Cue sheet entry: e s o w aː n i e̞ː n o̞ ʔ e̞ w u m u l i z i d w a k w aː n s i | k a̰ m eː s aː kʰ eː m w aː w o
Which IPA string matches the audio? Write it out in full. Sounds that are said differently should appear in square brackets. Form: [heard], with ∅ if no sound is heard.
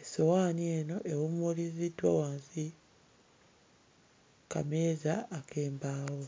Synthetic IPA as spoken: e s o w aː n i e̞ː n o̞ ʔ e̞ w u m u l i z i d w a [∅] w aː n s i | k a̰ m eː [z] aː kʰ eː m [b] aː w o